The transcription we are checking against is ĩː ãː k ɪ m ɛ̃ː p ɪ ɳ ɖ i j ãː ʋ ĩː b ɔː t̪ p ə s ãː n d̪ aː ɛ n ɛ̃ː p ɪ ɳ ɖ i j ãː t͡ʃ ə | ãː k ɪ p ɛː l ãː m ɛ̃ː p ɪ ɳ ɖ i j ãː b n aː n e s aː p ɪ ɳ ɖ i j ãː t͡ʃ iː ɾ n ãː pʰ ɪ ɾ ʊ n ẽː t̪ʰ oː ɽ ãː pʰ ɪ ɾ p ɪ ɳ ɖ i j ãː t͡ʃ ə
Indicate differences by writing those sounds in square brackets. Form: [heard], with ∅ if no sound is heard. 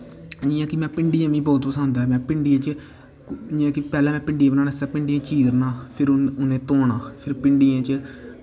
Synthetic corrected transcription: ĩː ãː k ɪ m ɛ̃ː p ɪ ɳ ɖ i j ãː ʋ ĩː b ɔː t̪ p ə s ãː n d̪ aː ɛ [m] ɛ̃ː p ɪ ɳ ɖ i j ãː t͡ʃ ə | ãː k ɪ p ɛː l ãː m ɛ̃ː p ɪ ɳ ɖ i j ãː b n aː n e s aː p ɪ ɳ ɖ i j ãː t͡ʃ iː ɾ n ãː pʰ ɪ ɾ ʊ n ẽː [t̪] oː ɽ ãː pʰ ɪ ɾ p ɪ ɳ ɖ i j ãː t͡ʃ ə